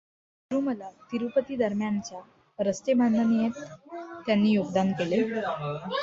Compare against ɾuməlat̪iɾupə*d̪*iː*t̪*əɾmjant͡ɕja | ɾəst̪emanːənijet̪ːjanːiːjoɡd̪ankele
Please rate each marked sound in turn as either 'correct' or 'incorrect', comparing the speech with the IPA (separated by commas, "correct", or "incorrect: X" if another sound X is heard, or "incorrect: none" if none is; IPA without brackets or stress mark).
incorrect: t̪, incorrect: d̪